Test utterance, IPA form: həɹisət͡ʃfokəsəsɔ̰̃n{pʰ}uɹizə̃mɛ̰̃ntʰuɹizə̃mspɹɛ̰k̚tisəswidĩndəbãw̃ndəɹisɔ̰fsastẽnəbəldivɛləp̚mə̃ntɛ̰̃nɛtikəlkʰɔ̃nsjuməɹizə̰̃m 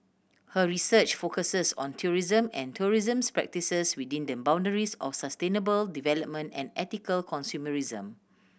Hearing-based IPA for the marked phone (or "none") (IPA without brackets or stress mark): tʰ